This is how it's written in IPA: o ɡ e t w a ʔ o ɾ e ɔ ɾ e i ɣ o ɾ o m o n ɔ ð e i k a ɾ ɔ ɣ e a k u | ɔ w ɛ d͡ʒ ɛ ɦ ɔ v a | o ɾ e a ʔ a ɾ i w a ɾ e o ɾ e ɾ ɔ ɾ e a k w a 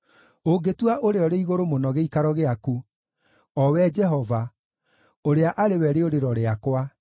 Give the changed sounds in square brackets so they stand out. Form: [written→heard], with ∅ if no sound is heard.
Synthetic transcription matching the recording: o ɡ e t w a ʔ o ɾ e ɔ ɾ e i ɣ o ɾ o m o n ɔ [ð→ɣ] e i k a ɾ ɔ ɣ e a k u | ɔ w ɛ d͡ʒ ɛ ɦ ɔ v a | o ɾ e a ʔ a ɾ [i→e] w [a→ɛ] ɾ e o ɾ e ɾ ɔ ɾ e a k w a